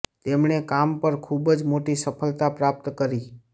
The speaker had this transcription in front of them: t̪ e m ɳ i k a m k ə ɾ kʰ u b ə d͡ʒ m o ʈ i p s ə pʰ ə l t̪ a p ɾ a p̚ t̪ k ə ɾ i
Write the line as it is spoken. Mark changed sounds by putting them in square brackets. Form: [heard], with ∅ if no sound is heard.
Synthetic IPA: t̪ e m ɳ [e] k a m [p] ə ɾ kʰ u b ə d͡ʒ m o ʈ i [∅] s ə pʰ ə l t̪ a p ɾ a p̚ t̪ k ə ɾ i